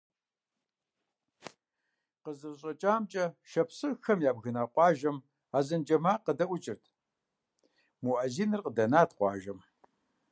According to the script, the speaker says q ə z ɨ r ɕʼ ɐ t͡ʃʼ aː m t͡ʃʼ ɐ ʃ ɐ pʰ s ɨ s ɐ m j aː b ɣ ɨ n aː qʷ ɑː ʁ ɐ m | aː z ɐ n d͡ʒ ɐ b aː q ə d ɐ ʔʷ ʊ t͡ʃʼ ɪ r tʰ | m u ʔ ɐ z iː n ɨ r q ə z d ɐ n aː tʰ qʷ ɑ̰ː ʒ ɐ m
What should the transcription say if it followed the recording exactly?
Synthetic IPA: q ə z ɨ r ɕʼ ɐ t͡ʃʼ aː m t͡ʃʼ ɐ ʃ ɐ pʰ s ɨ x ɐ m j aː b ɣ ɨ n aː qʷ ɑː ʒ ɐ m | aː z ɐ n d͡ʒ ɐ m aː q ə d ɐ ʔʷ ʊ t͡ʃʼ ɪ r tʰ | m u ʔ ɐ z iː n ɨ r q ə d ɐ n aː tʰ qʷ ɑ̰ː ʒ ɐ m